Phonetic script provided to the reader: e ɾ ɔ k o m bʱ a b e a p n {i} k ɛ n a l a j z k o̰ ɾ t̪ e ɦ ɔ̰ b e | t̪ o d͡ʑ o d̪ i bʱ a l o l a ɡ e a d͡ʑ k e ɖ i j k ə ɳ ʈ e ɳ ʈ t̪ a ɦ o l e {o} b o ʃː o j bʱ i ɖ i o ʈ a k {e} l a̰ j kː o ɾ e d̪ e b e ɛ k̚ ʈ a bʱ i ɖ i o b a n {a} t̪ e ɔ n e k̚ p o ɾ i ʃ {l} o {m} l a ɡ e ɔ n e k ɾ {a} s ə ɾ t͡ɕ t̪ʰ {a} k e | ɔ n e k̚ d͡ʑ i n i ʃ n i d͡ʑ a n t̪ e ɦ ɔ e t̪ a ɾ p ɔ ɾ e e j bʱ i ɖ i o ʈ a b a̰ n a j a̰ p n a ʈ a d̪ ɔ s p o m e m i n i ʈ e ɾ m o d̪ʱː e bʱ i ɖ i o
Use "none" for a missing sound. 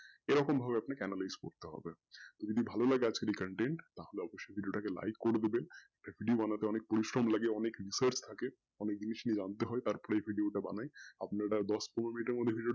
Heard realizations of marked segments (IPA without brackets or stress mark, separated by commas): a, ɔ, e, a, ɾ, m, i, a